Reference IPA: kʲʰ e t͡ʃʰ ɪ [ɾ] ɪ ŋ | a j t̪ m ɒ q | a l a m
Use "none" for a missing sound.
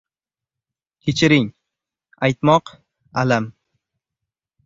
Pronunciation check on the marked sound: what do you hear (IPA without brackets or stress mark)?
ɾ